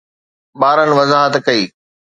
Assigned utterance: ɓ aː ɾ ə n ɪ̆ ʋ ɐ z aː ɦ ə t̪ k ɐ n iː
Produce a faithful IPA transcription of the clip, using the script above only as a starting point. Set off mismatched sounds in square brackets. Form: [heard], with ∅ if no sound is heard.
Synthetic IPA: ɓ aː ɾ ə n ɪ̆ ʋ ɐ z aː ɦ ə t̪ k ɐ [∅] iː

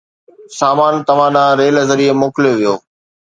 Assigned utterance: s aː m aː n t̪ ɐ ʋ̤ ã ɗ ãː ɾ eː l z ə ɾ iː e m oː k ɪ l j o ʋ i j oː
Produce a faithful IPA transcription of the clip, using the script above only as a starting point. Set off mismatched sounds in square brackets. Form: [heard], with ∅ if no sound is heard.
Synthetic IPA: s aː m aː n t̪ ɐ ʋ̤ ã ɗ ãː ɾ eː l z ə ɾ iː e m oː k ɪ l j o ʋ i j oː

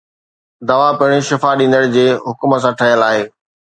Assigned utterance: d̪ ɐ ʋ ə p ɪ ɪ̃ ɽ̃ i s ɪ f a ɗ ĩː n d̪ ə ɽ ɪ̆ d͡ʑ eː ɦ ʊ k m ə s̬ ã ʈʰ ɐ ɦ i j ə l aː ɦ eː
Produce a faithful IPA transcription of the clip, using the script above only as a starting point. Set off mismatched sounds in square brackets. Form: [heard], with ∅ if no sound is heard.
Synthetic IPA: d̪ ɐ ʋ [a] p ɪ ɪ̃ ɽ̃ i [ʃ] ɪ f a ɗ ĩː n d̪ ə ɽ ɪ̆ d͡ʑ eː ɦ ʊ k m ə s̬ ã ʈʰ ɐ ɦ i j ə l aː ɦ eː

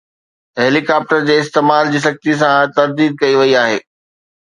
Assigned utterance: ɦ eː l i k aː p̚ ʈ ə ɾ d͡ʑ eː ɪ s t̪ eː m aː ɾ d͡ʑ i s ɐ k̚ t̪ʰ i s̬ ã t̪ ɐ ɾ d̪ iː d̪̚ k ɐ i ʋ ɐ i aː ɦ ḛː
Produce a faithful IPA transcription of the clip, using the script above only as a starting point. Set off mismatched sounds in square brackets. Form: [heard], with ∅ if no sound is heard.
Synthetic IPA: ɦ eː l i k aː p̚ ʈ ə ɾ d͡ʑ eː ɪ s t̪ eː m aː [l] d͡ʑ [iː] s ɐ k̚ [t̪] i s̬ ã t̪ ɐ ɾ d̪ iː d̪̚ k ɐ i ʋ ɐ i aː ɦ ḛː

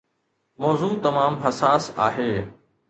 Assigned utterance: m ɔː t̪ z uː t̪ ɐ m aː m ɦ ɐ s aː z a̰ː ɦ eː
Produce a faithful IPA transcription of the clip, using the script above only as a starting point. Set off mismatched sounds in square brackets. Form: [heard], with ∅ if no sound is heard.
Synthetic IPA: m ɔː [∅] z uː t̪ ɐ m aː m ɦ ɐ s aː [s] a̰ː ɦ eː

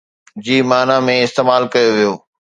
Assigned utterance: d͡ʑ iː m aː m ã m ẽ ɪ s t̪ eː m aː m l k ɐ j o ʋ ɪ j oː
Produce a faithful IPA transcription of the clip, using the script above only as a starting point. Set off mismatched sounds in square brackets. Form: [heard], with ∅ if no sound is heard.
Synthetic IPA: d͡ʑ iː m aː [n] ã m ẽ ɪ s t̪ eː m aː [∅] l k ɐ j o ʋ [i] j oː

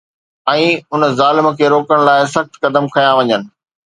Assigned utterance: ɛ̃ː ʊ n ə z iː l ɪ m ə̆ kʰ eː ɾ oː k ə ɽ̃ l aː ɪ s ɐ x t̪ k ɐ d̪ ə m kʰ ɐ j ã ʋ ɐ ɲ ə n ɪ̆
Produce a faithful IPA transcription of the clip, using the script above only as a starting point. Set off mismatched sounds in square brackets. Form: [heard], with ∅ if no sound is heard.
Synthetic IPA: ɛ̃ː ʊ n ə z [aː] l ɪ m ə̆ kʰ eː ɾ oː k ə ɽ̃ l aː ɪ s ɐ x t̪ k ɐ d̪ ə m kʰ ɐ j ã ʋ ɐ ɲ ə n ɪ̆

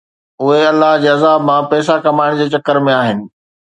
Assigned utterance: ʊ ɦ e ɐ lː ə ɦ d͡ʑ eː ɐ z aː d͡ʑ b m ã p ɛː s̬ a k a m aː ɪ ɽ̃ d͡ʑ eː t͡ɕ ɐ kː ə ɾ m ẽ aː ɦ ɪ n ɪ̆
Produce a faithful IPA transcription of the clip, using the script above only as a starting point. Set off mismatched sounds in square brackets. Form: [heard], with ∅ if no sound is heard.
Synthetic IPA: ʊ ɦ e ɐ lː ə ɦ d͡ʑ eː ɐ z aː [∅] b m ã p ɛː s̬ a k [ɐ] m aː ɪ ɽ̃ d͡ʑ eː t͡ɕ ɐ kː ə ɾ m ẽ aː ɦ ɪ n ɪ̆

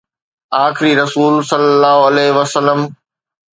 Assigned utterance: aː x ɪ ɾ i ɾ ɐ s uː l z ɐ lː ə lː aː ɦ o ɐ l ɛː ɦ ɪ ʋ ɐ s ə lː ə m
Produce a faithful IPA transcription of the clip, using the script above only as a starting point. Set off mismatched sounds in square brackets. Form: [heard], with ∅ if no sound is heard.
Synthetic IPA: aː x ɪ ɾ i ɾ ɐ s uː l [s] ɐ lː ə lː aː ɦ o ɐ l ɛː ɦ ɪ ʋ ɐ s ə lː ə m

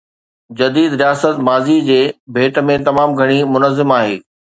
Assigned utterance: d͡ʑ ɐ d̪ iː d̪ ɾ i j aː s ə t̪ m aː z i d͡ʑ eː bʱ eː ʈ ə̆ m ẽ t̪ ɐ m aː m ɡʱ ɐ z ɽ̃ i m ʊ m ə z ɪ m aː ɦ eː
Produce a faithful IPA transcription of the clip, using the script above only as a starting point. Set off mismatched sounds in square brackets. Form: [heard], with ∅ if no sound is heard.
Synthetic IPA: d͡ʑ ɐ d̪ iː d̪ ɾ i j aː s ə t̪ m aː z i d͡ʑ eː bʱ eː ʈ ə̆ m ẽ t̪ ɐ m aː m ɡʱ ɐ [∅] ɽ̃ i m ʊ [n] ə z ɪ m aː ɦ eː

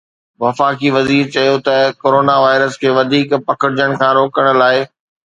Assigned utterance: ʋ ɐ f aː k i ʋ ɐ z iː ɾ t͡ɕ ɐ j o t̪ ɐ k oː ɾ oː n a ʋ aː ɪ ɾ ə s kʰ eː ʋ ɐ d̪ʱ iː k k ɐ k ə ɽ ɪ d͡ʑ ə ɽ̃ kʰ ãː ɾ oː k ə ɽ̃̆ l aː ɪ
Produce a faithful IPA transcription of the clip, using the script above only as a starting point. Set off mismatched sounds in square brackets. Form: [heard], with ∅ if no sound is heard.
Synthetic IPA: ʋ ɐ f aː k i ʋ ɐ z iː ɾ t͡ɕ ɐ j o t̪ ɐ k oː ɾ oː n a ʋ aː ɪ ɾ ə s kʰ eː ʋ ɐ d̪ʱ iː k [p] ɐ k ə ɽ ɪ d͡ʑ ə ɽ̃ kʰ ãː ɾ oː k ə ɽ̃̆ l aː ɪ

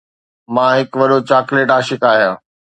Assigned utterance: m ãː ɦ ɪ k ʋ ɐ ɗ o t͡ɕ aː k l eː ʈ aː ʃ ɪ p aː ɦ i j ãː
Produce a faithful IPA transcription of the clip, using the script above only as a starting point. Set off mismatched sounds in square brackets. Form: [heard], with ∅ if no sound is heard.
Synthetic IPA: m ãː ɦ ɪ k ʋ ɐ ɗ o t͡ɕ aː k l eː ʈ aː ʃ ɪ [k] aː ɦ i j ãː

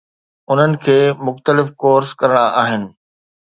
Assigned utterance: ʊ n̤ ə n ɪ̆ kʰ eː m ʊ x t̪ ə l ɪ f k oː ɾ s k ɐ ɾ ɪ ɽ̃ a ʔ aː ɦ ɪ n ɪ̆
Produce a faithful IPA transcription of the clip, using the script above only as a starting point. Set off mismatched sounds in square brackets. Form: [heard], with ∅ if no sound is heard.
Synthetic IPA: ʊ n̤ ə n ɪ̆ kʰ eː m ʊ x t̪ ə l ɪ f k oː ɾ s k ɐ ɾ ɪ ɽ̃ a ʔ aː ɦ ɪ n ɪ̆

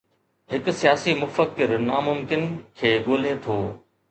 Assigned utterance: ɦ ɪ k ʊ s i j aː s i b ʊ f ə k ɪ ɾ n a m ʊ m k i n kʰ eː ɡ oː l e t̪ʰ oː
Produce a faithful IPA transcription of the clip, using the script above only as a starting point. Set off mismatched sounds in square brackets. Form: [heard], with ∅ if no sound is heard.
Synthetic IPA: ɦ ɪ k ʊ s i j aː s i [m] ʊ f ə k ɪ ɾ n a m ʊ m k [ɪ] n kʰ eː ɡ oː l e t̪ʰ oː

